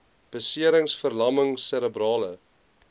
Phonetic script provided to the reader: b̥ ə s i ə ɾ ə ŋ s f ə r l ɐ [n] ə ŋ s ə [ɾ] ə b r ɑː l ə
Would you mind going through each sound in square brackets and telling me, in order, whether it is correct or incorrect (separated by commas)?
incorrect, correct